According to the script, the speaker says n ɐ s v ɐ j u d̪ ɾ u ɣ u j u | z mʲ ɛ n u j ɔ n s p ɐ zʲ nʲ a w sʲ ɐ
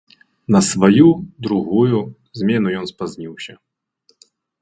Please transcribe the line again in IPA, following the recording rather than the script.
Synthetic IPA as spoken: n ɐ s v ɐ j u d̪ ɾ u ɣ u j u | z mʲ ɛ n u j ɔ n s p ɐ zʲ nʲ i w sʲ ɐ